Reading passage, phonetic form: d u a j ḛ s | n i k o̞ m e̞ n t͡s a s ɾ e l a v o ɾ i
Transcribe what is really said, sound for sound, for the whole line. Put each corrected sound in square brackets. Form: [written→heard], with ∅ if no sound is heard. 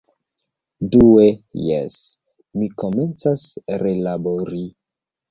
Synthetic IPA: d u [a→e] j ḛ s | [n→m] i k o̞ m e̞ n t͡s a s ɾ e l a [v→b] o ɾ i

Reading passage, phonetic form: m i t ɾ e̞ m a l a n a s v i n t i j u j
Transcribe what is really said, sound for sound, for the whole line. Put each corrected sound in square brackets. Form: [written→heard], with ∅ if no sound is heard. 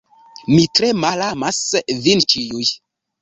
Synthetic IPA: m i t ɾ e̞ m a l a [n→m] a s v i n [t→t͡ʃ] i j u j

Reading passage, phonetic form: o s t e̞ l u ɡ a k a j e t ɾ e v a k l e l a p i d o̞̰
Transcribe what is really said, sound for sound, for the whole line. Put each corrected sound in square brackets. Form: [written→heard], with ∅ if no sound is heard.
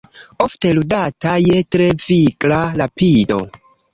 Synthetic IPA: o [s→f] t e̞ l u [ɡ→d] a [k→t] a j e t ɾ e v [a→i] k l [e→a] l a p i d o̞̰

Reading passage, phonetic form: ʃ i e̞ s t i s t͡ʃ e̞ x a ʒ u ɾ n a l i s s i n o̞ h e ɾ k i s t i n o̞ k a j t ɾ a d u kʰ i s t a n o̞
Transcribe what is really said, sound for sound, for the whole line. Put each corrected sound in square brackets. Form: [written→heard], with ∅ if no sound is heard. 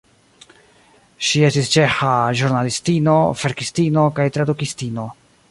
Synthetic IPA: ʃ i e̞ s t i s t͡ʃ e̞ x a ʒ u ɾ n a l i s [s→t] i n o̞ [h→f] e ɾ k i s t i n o̞ k a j t ɾ a d u [kʰ→k] i s t [a→i] n o̞

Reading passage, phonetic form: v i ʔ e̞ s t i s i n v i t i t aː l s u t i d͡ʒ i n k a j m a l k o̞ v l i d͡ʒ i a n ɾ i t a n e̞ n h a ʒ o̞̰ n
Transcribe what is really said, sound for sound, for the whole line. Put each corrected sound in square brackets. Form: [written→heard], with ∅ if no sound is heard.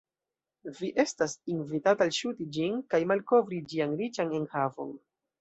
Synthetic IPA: v i ʔ e̞ s t [i→a] s i n v i t [i→a] t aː l [s→ʃ] u t i d͡ʒ i n k a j m a l k o̞ v [l→ɾ] i d͡ʒ i a n ɾ i [t→t͡ʃ] a n e̞ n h a [ʒ→v] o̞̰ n

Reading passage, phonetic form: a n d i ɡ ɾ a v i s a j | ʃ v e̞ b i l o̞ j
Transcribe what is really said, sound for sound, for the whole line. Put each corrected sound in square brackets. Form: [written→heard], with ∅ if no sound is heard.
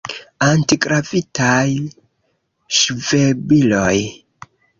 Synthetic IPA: a n [d→t] i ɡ ɾ a v i [s→t] a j | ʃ v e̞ b i l o̞ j

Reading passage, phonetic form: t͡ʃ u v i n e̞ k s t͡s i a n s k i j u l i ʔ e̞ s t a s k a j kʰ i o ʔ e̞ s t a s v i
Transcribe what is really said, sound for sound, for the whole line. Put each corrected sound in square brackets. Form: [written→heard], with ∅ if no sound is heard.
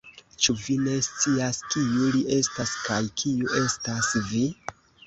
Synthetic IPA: t͡ʃ u v i n e̞ [k→∅] s t͡s i a [n→∅] s k i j u l i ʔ e̞ s t a s k a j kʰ i [o→u] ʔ e̞ s t a s v i

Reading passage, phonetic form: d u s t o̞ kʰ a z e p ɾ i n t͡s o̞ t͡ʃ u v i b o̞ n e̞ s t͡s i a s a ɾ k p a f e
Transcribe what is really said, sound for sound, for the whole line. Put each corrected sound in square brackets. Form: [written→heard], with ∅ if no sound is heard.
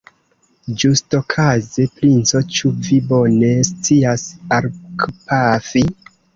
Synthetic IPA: [d→d͡ʒ] u s t o̞ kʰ a z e p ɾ i n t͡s o̞ t͡ʃ u v i b o̞ n e̞ s t͡s i a s a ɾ k p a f [e→i]

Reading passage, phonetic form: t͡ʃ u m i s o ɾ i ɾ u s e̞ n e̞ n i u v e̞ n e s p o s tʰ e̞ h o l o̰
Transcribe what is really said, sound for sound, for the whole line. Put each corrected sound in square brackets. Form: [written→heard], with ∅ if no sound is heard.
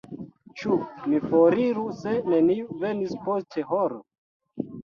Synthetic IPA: t͡ʃ u m i [s→f] o ɾ i ɾ u s e̞ n e̞ n i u v e̞ n [e→i] s p o s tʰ e̞ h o [l→ɾ] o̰

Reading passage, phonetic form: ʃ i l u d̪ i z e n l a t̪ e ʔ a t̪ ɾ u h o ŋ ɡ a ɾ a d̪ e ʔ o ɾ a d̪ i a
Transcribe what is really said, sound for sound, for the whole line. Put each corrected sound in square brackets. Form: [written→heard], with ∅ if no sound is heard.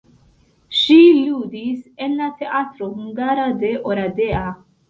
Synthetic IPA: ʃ i l u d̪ i [z→s] e n l a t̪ e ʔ a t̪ ɾ [u→o] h [o→u] ŋ ɡ a ɾ a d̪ e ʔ o ɾ a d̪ [i→e] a

